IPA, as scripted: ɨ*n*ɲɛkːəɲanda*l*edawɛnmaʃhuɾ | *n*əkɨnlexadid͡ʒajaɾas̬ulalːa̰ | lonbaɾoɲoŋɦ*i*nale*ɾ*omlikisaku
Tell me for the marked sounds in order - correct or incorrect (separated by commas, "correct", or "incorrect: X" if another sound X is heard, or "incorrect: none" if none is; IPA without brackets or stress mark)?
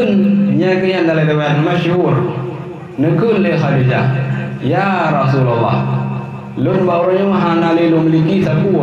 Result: correct, correct, correct, incorrect: a, incorrect: l